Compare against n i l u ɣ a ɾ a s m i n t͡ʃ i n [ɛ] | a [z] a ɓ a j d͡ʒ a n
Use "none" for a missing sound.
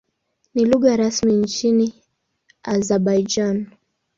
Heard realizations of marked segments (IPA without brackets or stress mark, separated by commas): i, z